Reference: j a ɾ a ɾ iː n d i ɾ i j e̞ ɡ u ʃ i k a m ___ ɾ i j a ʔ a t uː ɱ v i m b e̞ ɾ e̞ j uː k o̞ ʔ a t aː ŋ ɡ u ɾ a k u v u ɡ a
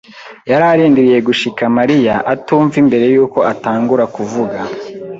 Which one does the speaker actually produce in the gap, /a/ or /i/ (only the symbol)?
a